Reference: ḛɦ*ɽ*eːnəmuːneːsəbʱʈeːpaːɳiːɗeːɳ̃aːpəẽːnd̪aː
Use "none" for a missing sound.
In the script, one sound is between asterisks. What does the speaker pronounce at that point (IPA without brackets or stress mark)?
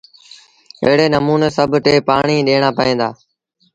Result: ɽ